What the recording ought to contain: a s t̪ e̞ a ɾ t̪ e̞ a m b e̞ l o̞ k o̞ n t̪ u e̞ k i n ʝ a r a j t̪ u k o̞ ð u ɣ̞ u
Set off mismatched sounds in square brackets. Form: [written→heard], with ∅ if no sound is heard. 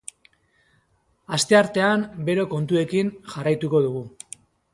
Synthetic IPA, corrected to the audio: a s t̪ e̞ a ɾ t̪ e̞ a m b e̞ [l→ɾ] o̞ k o̞ n t̪ u e̞ k i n ʝ a r a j t̪ u k o̞ ð u ɣ̞ u